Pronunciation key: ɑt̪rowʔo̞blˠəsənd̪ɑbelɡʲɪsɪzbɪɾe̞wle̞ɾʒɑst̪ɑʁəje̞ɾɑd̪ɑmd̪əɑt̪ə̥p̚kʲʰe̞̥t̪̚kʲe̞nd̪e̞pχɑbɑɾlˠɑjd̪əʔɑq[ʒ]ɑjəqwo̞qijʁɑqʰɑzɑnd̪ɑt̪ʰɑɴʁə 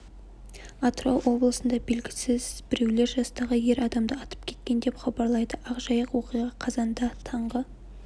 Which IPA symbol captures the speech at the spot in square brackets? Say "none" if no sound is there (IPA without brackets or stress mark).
ʒ